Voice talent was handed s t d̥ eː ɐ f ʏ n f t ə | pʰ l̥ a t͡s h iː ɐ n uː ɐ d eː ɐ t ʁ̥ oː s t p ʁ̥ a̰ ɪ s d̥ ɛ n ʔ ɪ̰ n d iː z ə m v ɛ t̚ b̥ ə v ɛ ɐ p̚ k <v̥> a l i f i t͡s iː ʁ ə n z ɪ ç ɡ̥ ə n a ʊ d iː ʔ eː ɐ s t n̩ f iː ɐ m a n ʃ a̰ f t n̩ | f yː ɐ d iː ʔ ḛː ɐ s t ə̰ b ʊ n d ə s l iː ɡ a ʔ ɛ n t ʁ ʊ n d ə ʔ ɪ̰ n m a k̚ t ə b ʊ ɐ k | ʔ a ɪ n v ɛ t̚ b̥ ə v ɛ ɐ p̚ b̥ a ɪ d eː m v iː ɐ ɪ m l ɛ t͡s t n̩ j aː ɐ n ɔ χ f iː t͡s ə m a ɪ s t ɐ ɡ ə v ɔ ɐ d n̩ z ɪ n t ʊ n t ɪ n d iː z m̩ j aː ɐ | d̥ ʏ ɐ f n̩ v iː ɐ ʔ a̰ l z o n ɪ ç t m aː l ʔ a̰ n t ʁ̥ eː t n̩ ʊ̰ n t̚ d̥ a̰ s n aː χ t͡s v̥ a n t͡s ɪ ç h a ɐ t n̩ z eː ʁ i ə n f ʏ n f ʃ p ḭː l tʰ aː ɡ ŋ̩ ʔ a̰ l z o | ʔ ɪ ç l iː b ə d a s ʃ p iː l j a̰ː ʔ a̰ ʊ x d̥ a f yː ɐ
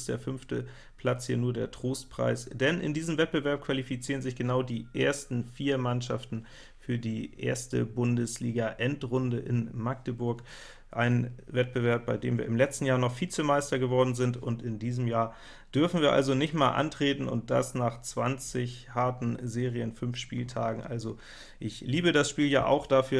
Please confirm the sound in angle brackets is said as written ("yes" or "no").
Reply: yes